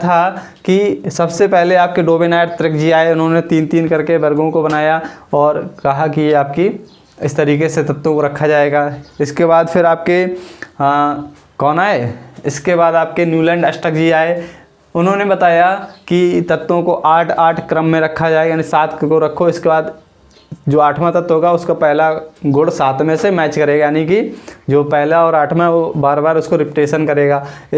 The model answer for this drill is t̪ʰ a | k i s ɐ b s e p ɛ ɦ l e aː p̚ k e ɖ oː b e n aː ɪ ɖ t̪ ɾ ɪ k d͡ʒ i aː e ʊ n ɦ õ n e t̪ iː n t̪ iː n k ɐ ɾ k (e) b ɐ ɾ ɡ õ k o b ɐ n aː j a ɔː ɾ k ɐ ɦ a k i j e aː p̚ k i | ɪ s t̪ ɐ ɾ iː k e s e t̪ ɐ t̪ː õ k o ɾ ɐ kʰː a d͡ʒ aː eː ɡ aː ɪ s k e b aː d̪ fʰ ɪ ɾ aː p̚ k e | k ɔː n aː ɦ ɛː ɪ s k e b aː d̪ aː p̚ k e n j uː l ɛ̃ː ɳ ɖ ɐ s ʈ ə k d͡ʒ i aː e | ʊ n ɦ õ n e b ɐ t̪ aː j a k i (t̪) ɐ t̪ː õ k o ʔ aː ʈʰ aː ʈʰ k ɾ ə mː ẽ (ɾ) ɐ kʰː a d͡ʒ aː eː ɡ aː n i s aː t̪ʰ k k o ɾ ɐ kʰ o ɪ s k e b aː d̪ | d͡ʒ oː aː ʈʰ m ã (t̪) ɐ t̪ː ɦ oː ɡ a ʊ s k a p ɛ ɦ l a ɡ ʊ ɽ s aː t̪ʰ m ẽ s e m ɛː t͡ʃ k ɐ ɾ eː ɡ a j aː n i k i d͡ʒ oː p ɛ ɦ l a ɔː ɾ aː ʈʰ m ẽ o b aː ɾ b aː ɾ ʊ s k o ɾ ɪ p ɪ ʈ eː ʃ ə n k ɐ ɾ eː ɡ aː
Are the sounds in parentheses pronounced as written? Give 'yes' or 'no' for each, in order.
yes, yes, yes, yes

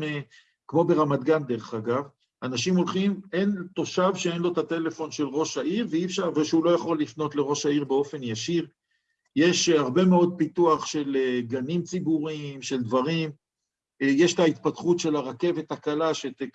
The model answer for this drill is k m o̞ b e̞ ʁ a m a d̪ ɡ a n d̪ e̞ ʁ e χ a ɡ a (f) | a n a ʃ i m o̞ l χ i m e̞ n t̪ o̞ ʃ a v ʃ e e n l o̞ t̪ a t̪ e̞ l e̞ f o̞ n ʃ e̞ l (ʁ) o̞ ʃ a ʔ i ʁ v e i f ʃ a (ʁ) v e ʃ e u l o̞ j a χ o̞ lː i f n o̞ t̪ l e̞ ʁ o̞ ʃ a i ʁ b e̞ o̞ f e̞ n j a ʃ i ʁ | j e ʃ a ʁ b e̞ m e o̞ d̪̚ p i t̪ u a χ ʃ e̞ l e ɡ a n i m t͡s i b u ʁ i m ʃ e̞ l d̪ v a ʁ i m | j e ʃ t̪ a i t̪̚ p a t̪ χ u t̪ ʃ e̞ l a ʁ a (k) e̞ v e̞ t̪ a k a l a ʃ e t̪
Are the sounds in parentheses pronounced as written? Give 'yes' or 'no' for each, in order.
no, yes, yes, yes

